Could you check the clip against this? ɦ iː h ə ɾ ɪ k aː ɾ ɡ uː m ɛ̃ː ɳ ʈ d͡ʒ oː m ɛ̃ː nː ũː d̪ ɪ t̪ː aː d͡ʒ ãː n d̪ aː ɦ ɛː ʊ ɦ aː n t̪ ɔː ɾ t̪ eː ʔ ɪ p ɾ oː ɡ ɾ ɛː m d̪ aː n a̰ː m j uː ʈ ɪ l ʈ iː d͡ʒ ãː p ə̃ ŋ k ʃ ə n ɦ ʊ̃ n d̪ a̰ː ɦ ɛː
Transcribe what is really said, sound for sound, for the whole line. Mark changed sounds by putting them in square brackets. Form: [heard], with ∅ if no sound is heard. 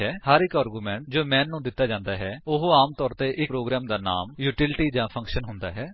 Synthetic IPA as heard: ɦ [ɛː] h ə ɾ ɪ k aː ɾ ɡ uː m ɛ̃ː ɳ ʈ d͡ʒ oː m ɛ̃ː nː ũː d̪ ɪ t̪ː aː d͡ʒ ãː n d̪ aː ɦ ɛː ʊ ɦ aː [m] t̪ ɔː ɾ t̪ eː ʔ ɪ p ɾ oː ɡ ɾ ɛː m d̪ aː n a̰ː m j uː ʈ ɪ l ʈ iː d͡ʒ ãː [pʰ] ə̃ ŋ k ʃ ə n ɦ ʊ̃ n d̪ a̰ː ɦ ɛː